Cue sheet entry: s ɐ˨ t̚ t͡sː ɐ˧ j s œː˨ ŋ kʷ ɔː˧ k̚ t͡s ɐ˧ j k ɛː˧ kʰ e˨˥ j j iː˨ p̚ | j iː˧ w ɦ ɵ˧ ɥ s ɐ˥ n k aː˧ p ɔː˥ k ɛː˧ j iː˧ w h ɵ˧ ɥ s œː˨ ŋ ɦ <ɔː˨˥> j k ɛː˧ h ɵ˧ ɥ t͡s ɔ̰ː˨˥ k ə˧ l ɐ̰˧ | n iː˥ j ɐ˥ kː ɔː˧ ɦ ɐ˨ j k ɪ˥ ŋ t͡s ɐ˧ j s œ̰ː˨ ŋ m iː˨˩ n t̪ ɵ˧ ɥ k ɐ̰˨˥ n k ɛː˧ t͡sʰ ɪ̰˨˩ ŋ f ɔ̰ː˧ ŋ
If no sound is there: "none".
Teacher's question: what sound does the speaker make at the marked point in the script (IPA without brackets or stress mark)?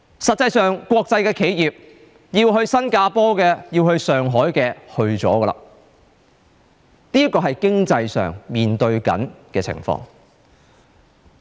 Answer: ɔː˨˥